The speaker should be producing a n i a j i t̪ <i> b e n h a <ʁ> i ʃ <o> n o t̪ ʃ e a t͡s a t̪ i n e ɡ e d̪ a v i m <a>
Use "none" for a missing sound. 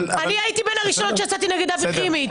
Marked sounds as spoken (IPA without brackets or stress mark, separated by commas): i, ʁ, o, i